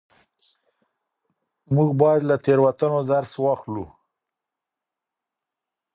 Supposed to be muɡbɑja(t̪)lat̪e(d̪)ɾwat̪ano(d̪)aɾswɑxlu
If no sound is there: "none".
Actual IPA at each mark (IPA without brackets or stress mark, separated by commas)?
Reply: d̪, none, d̪